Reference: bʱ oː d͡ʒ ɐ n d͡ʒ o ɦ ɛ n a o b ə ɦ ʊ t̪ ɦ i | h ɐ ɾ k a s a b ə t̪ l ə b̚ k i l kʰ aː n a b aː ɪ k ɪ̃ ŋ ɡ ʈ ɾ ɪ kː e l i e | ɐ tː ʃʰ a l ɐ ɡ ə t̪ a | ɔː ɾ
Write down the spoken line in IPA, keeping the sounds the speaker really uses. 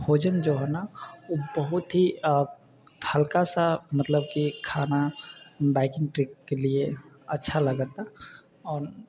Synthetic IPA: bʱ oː d͡ʒ ə n d͡ʒ o ɦ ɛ n a o b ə ɦ ʊ t̪ ɦ i | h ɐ l k a s a m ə t̪ l ə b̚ k i kʰ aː n a b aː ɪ k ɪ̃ ŋ ɡ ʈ ɾ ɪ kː e l i e | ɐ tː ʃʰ a l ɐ ɡ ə t̪ a | ɔː ɾ